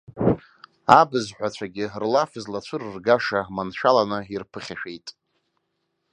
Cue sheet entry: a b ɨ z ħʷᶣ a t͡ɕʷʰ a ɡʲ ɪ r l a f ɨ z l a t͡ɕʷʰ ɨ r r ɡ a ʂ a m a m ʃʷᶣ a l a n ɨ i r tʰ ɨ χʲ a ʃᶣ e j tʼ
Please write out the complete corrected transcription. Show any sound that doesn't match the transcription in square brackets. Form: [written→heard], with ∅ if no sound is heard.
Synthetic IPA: a b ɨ z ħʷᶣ a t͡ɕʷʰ a ɡʲ ɪ r l a f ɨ z l a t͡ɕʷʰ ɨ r r ɡ a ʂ a m a [m→n] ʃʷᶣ a l a n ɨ i r [tʰ→pʰ] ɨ χʲ a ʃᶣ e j tʼ